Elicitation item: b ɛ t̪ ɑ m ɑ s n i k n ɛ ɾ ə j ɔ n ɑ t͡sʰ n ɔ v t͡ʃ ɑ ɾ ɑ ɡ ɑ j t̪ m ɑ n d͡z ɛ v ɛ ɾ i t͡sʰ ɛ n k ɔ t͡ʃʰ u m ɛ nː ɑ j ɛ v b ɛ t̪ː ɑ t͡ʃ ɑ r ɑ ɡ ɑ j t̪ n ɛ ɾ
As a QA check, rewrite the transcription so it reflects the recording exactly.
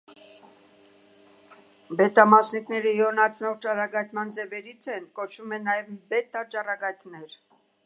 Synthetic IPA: b ɛ t̪ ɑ m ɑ s n i k n ɛ ɾ ə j ɔ n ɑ t͡sʰ n ɔ ʁ t͡ʃ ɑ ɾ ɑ ɡ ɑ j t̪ m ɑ n d͡z ɛ v ɛ ɾ i t͡sʰ ɛ n k ɔ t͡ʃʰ u m ɛ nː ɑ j ɛ v b ɛ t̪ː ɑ t͡ʃ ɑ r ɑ ɡ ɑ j t̪ n ɛ ɾ